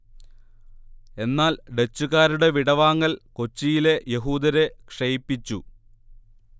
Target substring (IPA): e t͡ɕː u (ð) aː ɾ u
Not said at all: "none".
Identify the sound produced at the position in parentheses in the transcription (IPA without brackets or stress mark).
ɣ